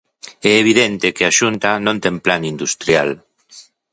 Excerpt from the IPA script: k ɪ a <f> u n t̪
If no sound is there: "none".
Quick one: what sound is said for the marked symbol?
ʃ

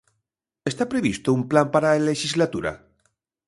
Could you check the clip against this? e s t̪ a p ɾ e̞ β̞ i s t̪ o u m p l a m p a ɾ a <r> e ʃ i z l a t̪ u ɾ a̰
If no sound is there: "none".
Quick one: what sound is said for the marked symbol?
l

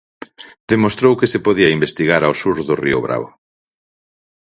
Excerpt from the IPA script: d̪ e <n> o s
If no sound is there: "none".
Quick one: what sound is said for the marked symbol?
m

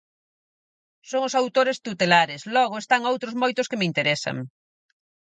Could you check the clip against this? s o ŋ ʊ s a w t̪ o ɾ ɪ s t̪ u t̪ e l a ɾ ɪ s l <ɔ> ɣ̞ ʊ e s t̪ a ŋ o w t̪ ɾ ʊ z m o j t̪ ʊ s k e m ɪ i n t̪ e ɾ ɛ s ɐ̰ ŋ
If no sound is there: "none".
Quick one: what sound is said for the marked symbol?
ɔ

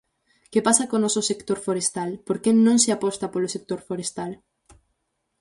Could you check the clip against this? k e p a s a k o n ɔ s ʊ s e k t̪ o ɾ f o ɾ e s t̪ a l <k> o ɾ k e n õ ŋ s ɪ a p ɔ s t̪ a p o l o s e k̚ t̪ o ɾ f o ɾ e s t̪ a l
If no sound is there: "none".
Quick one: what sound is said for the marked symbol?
p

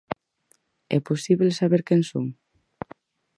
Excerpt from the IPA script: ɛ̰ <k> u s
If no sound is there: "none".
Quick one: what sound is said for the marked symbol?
p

